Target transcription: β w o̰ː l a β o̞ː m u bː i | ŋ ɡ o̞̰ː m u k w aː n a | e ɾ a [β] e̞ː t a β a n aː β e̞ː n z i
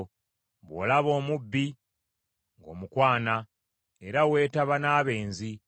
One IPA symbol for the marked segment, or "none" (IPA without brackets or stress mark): w